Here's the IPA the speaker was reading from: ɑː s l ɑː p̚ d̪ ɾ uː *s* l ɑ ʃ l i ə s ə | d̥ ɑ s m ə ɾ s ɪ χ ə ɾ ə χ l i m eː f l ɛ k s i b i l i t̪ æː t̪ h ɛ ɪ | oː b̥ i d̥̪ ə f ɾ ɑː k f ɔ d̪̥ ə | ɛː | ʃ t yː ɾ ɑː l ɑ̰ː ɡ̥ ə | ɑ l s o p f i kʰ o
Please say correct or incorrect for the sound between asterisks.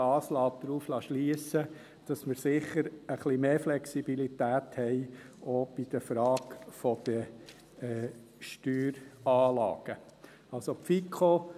incorrect